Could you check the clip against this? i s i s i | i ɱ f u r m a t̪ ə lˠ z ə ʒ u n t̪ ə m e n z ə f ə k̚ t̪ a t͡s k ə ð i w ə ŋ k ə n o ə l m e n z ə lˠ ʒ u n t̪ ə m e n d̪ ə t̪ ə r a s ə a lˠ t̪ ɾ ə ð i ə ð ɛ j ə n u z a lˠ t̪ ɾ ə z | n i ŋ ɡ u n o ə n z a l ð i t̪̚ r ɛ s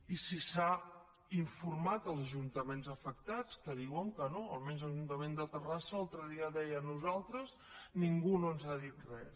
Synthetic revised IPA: i s i s a | i ɱ f u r m a t̪ ə lˠ z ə ʒ u n t̪ ə m e n z ə f ə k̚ t̪ a t͡s k ə ð i w ə ŋ k ə n o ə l m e n z ə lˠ ʒ u n t̪ ə m e n d̪ ə t̪ ə r a s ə a lˠ t̪ ɾ ə ð i ə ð ɛ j ə n u z a lˠ t̪ ɾ ə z | n i ŋ ɡ u n o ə n z a ð i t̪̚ r ɛ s